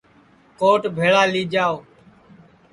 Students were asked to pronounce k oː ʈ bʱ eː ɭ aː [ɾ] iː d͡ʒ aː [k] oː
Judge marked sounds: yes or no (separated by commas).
no, no